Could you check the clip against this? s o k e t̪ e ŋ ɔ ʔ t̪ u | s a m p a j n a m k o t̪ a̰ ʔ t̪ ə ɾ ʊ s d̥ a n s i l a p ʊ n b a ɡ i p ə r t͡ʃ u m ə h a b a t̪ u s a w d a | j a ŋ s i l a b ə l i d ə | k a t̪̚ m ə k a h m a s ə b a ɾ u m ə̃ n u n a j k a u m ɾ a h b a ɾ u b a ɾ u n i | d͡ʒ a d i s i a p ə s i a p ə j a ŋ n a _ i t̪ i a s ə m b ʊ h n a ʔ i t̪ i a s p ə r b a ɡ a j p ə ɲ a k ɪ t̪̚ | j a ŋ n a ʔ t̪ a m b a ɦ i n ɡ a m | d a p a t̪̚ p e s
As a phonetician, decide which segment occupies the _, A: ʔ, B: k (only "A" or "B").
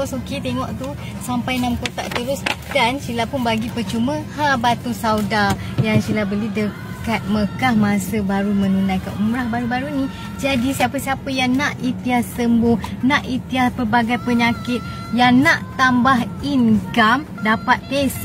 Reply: A